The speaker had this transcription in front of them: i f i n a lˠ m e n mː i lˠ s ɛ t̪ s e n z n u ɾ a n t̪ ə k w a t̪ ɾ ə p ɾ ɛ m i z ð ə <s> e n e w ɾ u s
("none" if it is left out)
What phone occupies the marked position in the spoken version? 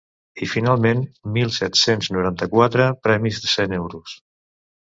s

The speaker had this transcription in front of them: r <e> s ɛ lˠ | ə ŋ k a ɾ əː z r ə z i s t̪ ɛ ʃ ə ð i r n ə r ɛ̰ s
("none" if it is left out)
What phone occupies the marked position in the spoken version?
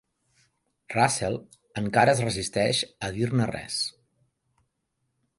a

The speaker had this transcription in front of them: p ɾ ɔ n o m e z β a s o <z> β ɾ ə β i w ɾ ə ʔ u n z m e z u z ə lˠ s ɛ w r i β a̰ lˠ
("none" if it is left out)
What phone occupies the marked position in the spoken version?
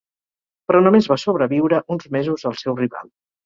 none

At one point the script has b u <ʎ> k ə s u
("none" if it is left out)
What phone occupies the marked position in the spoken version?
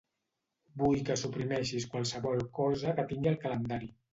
j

